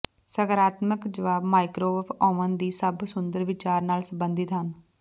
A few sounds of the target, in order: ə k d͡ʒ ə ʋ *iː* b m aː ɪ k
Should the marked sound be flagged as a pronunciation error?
yes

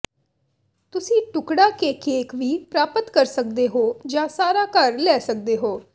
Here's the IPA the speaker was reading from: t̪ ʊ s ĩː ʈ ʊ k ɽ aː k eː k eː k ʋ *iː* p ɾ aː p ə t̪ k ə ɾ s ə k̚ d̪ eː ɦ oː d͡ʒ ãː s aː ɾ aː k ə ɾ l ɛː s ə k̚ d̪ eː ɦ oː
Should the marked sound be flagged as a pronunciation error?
no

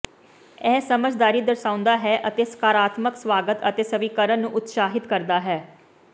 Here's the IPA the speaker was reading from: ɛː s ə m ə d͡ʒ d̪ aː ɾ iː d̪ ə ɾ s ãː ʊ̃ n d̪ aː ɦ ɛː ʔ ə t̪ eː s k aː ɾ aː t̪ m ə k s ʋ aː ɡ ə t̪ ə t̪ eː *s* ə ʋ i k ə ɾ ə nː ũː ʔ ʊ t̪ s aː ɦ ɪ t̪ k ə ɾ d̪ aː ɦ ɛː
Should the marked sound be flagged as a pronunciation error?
no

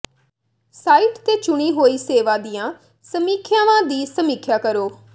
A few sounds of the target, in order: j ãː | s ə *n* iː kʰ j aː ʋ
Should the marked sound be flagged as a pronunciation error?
yes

